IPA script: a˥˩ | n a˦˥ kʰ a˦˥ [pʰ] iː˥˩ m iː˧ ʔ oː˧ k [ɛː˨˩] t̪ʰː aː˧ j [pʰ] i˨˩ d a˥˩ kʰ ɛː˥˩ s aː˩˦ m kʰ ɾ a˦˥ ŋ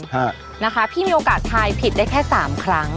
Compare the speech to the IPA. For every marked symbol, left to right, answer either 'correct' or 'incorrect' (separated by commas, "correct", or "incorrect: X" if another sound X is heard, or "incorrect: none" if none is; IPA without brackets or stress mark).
correct, incorrect: aː˨˩, correct